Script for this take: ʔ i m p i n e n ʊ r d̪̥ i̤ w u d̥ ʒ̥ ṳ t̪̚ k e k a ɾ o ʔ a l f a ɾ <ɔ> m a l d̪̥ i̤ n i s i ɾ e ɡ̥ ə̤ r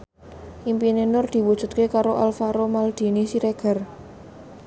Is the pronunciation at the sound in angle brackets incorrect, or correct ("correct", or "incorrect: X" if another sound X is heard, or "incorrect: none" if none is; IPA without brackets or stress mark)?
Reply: incorrect: o